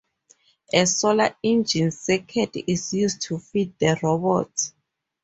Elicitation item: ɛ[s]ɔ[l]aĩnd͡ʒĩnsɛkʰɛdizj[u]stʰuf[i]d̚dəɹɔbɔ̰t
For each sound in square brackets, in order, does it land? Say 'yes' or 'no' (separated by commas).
yes, yes, yes, yes